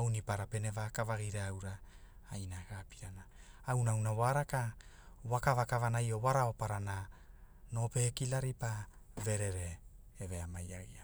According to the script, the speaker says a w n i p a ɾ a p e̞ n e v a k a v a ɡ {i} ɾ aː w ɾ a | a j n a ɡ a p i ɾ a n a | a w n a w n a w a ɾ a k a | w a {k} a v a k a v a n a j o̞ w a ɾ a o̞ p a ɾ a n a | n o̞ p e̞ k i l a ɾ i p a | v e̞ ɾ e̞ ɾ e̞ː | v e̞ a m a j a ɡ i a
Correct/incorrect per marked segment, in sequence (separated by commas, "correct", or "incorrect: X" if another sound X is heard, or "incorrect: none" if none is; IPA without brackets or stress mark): correct, correct